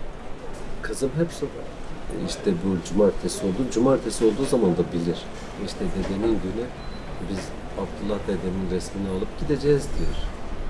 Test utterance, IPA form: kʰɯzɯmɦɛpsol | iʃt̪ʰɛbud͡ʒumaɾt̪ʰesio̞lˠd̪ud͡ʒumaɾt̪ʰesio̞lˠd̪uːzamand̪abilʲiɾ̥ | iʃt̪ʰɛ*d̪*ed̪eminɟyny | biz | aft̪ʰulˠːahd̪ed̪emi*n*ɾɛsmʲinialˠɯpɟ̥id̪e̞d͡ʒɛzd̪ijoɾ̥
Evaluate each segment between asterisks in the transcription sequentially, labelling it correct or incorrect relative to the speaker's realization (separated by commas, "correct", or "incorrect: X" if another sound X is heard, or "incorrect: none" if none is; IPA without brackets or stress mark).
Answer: correct, correct